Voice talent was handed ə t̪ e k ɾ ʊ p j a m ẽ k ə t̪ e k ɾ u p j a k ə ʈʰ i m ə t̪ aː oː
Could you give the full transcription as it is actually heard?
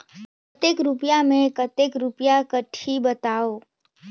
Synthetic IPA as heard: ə t̪ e k ɾ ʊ p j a m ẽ k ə t̪ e k ɾ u p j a k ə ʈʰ i b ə t̪ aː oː